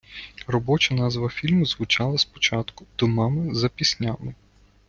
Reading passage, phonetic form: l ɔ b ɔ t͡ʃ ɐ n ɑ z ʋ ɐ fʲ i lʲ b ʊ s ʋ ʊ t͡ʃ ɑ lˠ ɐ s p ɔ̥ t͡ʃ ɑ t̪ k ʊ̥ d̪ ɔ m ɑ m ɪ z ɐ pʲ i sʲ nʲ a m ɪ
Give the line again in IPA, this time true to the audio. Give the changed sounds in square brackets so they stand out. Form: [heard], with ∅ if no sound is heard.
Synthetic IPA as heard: [r] ɔ b ɔ t͡ʃ ɐ n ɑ z ʋ ɐ fʲ i lʲ [m] ʊ [z] ʋ ʊ t͡ʃ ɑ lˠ ɐ s p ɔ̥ t͡ʃ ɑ t̪ k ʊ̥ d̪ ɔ m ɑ m ɪ z ɐ pʲ i sʲ nʲ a m ɪ